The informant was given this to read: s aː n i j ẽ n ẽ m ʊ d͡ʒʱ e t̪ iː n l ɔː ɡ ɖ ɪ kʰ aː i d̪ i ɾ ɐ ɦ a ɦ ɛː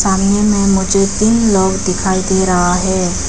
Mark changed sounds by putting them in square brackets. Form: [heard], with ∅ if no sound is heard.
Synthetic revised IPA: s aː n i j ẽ [m] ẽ m ʊ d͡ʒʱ e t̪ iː n l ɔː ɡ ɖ ɪ kʰ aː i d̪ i ɾ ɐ ɦ a ɦ ɛː